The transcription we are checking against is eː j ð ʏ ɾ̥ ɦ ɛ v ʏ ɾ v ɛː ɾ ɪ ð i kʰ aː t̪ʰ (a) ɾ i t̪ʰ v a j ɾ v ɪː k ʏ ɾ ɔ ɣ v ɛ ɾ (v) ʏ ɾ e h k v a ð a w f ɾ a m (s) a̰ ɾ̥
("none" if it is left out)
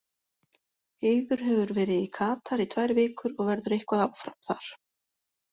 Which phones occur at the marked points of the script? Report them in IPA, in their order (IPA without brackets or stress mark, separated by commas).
a, ð, θ